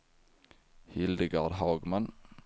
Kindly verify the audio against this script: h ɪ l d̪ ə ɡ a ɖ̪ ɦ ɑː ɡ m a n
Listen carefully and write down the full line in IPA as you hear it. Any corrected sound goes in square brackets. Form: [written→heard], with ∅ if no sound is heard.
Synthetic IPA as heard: h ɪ l d̪ ə ɡ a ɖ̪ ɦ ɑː ɡ m a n

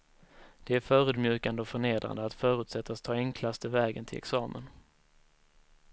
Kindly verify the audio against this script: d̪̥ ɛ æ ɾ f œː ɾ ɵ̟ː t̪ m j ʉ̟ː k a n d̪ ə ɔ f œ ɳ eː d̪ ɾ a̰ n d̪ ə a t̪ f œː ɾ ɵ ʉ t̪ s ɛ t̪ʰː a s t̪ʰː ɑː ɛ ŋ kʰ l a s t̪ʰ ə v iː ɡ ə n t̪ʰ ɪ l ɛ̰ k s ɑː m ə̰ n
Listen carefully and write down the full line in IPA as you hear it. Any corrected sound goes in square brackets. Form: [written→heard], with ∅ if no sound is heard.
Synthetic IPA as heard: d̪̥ ɛ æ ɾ f œː ɾ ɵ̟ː [t̪→d̪] m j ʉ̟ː k a n d̪ ə ɔ f œ ɳ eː d̪ ɾ a̰ n d̪ ə a t̪ f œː ɾ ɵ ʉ t̪ s ɛ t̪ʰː a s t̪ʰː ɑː ɛ ŋ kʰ l a s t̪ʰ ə v [iː→ɛː] ɡ ə n t̪ʰ ɪ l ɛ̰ k s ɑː m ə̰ n

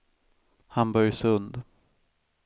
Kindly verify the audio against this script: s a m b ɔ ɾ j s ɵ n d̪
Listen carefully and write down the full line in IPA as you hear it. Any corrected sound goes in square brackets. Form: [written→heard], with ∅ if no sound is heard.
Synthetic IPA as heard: [s→h] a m b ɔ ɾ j s ɵ n d̪

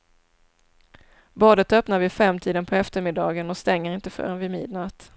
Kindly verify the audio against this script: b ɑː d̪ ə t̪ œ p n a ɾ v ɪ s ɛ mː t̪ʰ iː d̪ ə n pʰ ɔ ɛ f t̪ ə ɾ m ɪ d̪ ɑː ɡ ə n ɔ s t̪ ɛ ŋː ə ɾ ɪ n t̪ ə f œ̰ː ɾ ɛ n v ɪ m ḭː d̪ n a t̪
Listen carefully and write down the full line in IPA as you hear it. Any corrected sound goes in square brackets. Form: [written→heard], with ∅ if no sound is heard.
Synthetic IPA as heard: b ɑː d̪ ə t̪ œ p n a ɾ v ɪ [s→f] ɛ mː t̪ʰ iː d̪ ə n pʰ ɔ ɛ f t̪ ə ɾ m ɪ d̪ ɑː ɡ ə n ɔ s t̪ ɛ ŋː ə ɾ ɪ n t̪ ə f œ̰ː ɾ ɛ n v ɪ m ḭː d̪ n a t̪

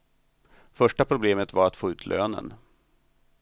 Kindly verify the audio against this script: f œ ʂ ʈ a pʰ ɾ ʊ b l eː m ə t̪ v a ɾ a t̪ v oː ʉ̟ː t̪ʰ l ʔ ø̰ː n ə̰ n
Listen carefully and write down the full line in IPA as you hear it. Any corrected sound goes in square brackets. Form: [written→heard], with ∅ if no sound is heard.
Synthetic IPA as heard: f œ ʂ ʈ a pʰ ɾ ʊ b l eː m ə t̪ v a ɾ a t̪ [v→f] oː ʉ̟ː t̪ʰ l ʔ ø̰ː n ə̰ n

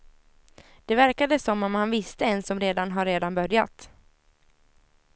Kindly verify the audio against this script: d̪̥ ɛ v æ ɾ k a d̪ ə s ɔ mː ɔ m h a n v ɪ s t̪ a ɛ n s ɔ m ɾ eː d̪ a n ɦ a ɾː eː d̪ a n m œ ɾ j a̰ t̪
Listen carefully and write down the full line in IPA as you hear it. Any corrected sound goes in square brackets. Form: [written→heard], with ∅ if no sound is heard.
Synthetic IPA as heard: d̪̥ ɛ v æ ɾ k a d̪ ə s ɔ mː ɔ m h a n v ɪ s t̪ [a→ə] ɛ n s ɔ m ɾ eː d̪ a n ɦ a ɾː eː d̪ a n [m→b] œ ɾ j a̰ t̪

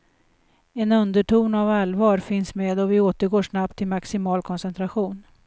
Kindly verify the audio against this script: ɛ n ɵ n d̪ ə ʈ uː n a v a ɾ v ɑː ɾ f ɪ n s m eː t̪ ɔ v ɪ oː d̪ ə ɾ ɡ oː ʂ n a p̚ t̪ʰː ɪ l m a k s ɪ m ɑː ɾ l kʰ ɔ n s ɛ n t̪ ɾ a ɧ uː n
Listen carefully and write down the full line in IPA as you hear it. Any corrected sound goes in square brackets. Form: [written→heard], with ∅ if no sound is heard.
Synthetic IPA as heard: ɛ n ɵ n d̪ ə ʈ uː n a v a [ɾ→l] v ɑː ɾ f ɪ n s m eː [t̪→d̪] ɔ v ɪ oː [d̪→t̪] ə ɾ ɡ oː ʂ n a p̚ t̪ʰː ɪ l m a k s ɪ m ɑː [ɾ→∅] l kʰ ɔ n s ɛ n t̪ ɾ a ɧ uː n

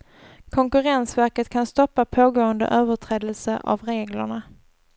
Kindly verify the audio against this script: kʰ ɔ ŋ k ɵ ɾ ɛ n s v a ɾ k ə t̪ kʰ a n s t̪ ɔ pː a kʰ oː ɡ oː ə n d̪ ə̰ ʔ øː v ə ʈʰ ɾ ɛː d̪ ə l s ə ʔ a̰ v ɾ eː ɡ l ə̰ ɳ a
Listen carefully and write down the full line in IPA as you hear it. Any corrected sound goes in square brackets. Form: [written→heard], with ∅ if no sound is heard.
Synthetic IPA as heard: kʰ ɔ ŋ k ɵ ɾ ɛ n s v [a→æ] ɾ k ə t̪ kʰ a n s t̪ ɔ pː a [kʰ→pʰ] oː ɡ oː ə n d̪ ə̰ ʔ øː v ə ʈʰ ɾ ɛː d̪ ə l s ə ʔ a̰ v ɾ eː ɡ l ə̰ ɳ a

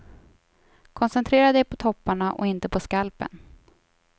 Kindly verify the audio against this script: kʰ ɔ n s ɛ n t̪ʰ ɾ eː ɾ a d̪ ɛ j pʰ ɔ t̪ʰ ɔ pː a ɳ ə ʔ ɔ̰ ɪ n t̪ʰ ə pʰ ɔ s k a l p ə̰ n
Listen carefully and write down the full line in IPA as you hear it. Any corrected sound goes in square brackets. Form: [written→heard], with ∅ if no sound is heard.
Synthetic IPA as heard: kʰ ɔ n s ɛ n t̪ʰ ɾ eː ɾ a d̪ ɛ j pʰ ɔ t̪ʰ ɔ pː a ɳ [ə→a] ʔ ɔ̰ ɪ n [t̪ʰ→t̪] ə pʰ ɔ s k a l p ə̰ n

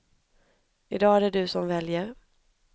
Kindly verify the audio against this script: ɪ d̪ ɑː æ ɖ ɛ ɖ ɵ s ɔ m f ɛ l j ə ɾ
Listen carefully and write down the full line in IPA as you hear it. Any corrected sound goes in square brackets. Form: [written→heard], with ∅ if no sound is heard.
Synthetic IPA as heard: ɪ d̪ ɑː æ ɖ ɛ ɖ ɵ s ɔ m [f→v] ɛ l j ə ɾ

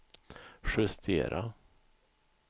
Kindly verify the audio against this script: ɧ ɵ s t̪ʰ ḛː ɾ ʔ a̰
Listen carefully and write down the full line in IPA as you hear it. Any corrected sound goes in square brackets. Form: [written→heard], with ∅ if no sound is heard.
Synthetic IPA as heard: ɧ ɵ s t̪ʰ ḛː ɾ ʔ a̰

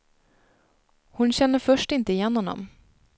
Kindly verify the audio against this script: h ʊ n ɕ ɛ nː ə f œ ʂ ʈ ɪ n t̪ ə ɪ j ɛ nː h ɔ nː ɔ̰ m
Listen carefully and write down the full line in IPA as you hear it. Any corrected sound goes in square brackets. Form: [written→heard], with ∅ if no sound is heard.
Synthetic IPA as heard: h ʊ n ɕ ɛ nː ə f œ ʂ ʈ ɪ n t̪ ə ɪ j ɛ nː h ɔ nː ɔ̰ m

